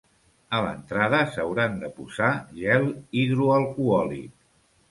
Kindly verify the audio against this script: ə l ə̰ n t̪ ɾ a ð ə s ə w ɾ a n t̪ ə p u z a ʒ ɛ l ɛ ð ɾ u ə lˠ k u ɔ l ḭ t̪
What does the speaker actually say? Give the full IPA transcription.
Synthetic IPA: ə l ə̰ n t̪ ɾ a ð ə s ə w ɾ a n d̪ ə p u z a ʒ ɛ l i ð ɾ u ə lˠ k u ɔ l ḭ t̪